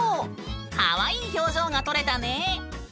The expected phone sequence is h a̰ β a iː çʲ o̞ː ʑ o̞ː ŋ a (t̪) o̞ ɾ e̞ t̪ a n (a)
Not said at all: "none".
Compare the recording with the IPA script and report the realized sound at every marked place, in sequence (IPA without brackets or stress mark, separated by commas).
t̪, e